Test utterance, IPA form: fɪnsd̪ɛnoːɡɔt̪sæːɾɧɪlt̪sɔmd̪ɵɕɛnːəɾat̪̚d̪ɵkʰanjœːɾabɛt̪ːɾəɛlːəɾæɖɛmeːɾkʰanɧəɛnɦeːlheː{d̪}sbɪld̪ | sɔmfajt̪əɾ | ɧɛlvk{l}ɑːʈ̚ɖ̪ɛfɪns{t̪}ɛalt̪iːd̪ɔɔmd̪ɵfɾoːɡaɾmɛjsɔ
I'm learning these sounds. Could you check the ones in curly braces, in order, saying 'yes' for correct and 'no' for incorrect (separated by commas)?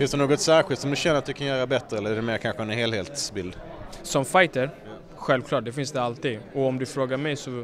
no, yes, no